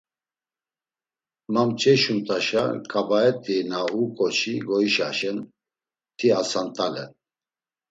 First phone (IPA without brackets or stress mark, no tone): m